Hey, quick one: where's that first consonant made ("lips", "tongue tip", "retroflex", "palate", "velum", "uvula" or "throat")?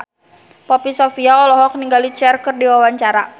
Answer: lips